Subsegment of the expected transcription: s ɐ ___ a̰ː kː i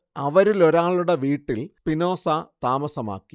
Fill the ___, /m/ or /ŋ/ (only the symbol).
m